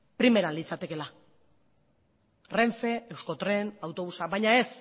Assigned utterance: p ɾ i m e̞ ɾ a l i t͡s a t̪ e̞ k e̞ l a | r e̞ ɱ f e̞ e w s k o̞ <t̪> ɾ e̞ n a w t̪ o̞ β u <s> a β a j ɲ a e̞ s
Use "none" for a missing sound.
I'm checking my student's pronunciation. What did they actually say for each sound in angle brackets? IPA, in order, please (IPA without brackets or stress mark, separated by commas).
t̪, s